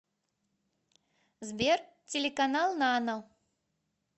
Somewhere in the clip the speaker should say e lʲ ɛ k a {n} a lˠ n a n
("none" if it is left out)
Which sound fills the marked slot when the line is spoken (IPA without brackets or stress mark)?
n